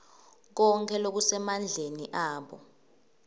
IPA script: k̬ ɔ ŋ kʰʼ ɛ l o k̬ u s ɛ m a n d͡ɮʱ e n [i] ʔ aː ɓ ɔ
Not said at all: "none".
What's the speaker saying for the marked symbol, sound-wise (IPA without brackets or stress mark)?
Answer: i